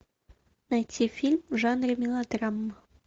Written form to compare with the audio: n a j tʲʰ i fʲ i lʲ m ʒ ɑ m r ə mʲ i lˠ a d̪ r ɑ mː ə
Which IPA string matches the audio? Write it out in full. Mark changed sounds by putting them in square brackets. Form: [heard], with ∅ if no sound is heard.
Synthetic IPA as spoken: n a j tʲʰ i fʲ i lʲ m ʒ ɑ [n] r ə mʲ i lˠ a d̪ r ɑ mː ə